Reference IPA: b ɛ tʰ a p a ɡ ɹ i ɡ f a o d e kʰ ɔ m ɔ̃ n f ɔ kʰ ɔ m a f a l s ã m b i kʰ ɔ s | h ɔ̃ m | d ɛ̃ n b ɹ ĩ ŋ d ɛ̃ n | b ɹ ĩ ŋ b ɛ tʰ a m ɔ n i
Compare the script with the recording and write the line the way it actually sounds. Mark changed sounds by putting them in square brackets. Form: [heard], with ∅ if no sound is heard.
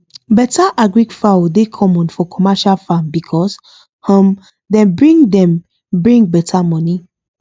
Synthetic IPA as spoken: b ɛ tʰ a [ʔ] a ɡ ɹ i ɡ f a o d e kʰ ɔ m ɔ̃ n f ɔ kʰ ɔ m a [ʃ] a l [f] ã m b i kʰ ɔ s | h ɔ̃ m | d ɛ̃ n b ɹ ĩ ŋ d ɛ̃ [m] | b ɹ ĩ ŋ b ɛ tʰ a m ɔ n i

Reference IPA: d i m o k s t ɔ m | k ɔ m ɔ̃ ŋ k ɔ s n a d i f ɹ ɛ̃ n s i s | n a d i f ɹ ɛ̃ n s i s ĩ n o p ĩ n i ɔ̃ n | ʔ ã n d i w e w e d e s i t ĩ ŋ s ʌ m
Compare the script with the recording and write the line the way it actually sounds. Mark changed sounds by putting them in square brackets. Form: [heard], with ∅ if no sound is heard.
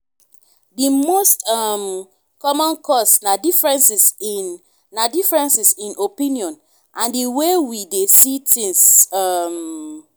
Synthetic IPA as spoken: d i m o [∅] s t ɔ m | k ɔ m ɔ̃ [n] k ɔ s n a d i f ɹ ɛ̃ n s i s | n a d i f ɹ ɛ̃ n s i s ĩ n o p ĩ n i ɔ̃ n | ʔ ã n d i w e w [i] d e s i t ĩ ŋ s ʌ m

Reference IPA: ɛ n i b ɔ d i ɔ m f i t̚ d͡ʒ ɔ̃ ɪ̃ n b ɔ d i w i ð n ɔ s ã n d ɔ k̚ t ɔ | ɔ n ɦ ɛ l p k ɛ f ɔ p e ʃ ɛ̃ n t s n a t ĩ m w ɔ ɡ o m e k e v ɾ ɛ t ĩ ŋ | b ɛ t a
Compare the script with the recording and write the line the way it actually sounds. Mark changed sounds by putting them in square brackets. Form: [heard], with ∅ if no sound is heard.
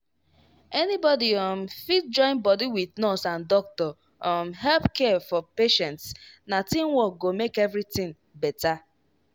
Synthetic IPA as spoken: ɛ n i b ɔ d i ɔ m f i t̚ d͡ʒ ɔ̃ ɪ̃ n b ɔ d i w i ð n ɔ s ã n d ɔ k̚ t ɔ | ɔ [m] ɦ ɛ l p k ɛ f ɔ p e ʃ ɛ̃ n t s n a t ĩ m w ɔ ɡ o m e k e v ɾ [i] t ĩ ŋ | b ɛ t a

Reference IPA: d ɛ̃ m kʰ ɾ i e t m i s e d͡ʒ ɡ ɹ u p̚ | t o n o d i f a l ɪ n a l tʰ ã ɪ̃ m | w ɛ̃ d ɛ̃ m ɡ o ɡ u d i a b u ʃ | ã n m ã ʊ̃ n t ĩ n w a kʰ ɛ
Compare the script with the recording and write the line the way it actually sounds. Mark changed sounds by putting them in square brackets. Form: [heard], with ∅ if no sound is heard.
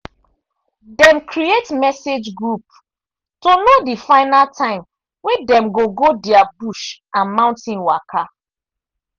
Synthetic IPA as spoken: d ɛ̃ m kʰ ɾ i e t m [ɛ] s e d͡ʒ ɡ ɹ u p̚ | t o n o d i f a [∅] ɪ n a l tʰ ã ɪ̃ m | w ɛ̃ d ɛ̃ m ɡ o ɡ [o] d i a b u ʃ | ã n m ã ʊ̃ n t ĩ n w a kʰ [a]

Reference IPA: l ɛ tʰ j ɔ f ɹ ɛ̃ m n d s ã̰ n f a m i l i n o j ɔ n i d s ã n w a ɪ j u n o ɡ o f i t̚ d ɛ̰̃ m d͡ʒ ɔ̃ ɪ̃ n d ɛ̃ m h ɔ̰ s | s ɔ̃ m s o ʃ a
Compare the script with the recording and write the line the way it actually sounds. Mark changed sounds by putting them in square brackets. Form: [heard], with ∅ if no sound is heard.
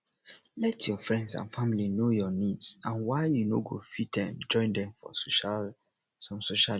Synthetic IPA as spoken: l ɛ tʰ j ɔ f ɹ ɛ̃ [∅] n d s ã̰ n f a m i l i n o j ɔ n i d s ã n w a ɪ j u n o ɡ o f i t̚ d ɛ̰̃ m d͡ʒ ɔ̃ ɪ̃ n d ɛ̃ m [f] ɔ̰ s | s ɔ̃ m s o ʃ a

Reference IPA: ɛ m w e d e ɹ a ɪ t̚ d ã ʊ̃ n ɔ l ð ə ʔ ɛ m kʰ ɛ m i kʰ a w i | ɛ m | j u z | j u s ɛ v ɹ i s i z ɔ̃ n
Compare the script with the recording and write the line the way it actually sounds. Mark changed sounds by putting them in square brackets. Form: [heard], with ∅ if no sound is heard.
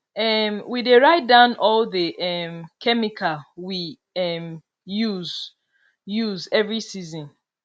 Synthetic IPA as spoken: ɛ m w [i] d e ɹ a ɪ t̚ d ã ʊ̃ n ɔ l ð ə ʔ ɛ m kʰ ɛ m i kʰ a w i | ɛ m | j u z | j u [z] ɛ v ɹ i s i z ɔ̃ n

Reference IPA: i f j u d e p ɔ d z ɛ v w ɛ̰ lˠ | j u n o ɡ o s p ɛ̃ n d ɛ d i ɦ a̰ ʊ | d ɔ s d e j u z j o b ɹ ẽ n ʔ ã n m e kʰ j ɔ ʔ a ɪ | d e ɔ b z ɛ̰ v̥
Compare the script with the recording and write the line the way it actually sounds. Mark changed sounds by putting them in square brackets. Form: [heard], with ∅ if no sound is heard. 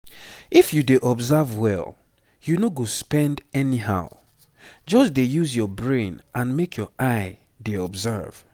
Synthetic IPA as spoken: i f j u d e [ʔ] ɔ [b] z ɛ v w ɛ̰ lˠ | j u n o ɡ o s p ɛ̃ n d ɛ [n] i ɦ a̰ ʊ | [d͡ʒ] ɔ s d e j u z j [ɔ] b ɹ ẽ n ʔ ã n m e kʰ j ɔ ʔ a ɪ | d e ɔ b z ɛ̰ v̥

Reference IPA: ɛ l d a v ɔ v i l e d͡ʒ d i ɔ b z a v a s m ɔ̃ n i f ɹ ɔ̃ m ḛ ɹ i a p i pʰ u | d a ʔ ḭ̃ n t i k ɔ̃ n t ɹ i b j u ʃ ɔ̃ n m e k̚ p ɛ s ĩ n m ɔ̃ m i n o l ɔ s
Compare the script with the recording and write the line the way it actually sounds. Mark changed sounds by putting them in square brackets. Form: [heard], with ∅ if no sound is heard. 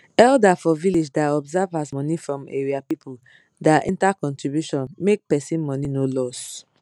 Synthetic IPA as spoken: ɛ l d a [f] ɔ v i l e d͡ʒ d [a] ɔ b z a v a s m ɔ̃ n i f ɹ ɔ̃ m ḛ ɹ i a p i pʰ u | d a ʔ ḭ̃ n t [a] k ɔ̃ n t ɹ i b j u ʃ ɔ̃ n m e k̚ p ɛ s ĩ n m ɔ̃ [n] i n o l ɔ s

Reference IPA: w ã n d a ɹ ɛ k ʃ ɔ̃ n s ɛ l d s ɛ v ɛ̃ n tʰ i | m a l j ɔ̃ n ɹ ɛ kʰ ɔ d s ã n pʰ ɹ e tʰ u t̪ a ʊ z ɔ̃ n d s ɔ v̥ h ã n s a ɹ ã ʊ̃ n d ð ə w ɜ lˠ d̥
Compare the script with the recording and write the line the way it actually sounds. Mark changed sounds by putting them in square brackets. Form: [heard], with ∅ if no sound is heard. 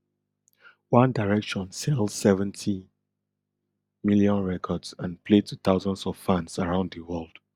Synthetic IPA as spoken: w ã n d a ɹ ɛ k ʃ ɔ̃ n s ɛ l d s ɛ v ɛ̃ n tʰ i | m [i] l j ɔ̃ n ɹ ɛ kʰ ɔ d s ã n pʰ [l] e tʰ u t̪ a ʊ z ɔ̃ n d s ɔ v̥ [f] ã n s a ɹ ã ʊ̃ n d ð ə w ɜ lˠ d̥

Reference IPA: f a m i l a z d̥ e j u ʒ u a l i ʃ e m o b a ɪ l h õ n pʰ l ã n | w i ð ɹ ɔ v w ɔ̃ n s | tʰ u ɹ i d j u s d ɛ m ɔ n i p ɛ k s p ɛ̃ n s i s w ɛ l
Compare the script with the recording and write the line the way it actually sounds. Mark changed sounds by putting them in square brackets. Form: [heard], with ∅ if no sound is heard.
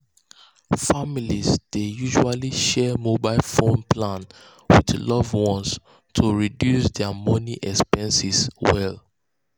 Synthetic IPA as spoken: f a m i l [i] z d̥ e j u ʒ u a l i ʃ [ɛ] m o b a ɪ l [f] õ n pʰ l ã n | w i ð [l] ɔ v w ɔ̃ n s | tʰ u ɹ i d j u s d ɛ m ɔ n i [ʔ] ɛ k s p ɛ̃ n s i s w ɛ l

